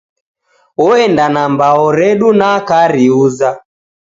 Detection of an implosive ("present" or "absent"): present